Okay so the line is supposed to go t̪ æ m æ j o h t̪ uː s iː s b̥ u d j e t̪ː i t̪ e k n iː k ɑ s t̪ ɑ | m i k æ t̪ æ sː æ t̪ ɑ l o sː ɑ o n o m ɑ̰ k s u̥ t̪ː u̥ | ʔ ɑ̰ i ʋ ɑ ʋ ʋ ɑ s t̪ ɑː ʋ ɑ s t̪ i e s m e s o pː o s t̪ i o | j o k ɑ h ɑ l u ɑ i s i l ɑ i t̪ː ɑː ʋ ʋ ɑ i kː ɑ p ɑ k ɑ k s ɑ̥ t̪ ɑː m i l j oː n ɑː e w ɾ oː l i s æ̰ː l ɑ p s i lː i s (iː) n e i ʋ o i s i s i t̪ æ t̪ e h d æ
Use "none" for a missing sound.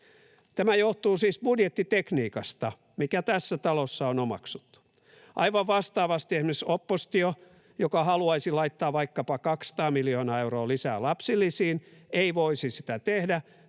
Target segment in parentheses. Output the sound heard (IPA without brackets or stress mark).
iː